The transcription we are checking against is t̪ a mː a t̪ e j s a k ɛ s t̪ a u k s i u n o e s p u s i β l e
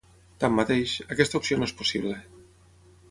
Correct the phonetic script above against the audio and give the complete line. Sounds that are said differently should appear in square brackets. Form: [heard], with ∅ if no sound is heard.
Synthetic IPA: t̪ a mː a t̪ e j [ʃ] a k ɛ s t̪ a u [p] s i [o] n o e s p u s i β l e